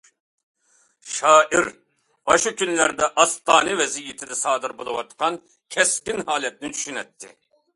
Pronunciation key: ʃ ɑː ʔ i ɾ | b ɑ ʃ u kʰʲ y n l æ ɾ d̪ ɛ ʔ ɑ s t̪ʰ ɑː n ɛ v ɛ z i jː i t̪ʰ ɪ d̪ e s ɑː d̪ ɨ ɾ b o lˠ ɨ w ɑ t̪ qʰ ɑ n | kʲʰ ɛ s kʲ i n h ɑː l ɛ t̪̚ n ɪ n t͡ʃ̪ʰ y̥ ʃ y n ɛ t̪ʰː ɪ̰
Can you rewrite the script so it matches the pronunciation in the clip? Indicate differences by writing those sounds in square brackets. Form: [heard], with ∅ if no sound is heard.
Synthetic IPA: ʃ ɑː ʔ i ɾ | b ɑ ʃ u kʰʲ y n l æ ɾ d̪ ɛ ʔ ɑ s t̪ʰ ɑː n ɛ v ɛ z i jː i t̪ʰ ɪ d̪ [ɛ] s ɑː d̪ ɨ ɾ b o lˠ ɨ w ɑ t̪ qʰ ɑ n | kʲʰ ɛ s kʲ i n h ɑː l ɛ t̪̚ n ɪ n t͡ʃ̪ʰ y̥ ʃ y n ɛ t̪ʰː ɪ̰